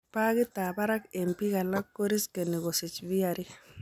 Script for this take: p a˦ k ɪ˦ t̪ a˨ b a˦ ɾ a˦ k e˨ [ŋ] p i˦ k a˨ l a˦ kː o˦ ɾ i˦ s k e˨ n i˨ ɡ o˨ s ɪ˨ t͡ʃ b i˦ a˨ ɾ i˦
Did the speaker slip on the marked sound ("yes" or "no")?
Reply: yes